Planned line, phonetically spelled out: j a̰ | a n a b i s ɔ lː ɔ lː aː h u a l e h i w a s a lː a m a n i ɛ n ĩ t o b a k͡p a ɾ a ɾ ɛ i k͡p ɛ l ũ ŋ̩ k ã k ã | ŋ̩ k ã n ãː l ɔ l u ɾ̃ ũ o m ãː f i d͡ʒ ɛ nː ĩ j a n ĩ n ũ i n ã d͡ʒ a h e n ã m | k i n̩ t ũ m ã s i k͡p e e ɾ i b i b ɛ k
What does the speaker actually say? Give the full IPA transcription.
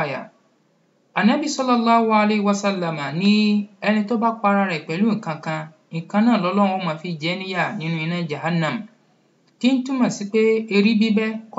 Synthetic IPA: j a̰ | a n a b i s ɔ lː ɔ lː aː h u a l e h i w a s a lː a m a n ĩ ɛ n ĩ t o b a k͡p a ɾ a ɾ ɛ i k͡p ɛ l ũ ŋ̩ k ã k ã | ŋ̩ k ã n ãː l ɔ l ɔ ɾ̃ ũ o m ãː f i d͡ʒ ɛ n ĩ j a n ĩ n ũ i n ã d͡ʒ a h a n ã m | k i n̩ t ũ m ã s i k͡p e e ɾ i b i b ɛ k